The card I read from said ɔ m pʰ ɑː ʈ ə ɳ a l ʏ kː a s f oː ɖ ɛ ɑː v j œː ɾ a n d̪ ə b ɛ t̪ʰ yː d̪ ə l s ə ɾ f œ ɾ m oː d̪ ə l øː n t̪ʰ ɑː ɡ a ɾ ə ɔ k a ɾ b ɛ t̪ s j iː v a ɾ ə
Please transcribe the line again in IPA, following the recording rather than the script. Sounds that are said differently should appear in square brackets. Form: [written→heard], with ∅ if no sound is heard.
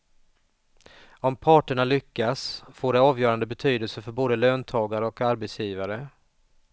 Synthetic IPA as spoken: ɔ m pʰ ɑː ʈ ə ɳ a l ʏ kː a s f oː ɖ ɛ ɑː v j œː ɾ a n d̪ ə b ɛ t̪ʰ yː d̪ ə l s ə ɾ f œ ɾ [m→b] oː d̪ ə l øː n t̪ʰ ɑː ɡ a ɾ ə ɔ k a ɾ b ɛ t̪ s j iː v a ɾ ə